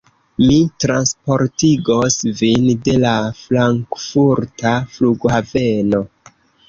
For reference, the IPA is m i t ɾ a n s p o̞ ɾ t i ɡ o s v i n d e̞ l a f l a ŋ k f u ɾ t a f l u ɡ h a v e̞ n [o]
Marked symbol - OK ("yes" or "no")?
yes